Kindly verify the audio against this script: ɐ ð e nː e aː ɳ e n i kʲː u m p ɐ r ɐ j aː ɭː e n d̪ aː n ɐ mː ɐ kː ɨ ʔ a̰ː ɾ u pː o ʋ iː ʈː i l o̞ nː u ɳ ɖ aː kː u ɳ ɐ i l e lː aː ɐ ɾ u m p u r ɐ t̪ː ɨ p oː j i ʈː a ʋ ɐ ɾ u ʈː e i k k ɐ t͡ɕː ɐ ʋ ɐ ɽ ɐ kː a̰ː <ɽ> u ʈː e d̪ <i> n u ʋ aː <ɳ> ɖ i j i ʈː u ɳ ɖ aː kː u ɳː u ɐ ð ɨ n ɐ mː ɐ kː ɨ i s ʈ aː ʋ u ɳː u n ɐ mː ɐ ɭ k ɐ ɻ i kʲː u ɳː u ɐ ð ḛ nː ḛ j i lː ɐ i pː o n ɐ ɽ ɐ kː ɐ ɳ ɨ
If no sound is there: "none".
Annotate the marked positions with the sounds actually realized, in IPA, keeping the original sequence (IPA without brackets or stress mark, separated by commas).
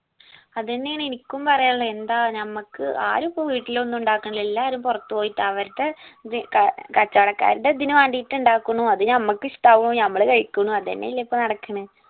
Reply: ɾ, i, ɳ